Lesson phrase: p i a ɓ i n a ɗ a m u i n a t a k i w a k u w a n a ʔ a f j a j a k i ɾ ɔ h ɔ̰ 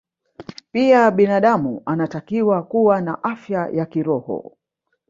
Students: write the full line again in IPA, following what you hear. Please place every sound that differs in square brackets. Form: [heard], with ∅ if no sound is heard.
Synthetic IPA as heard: p i a ɓ i n a ɗ a m u [a] n a t a k i w a k u w a n a ʔ a f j a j a k i ɾ ɔ h ɔ̰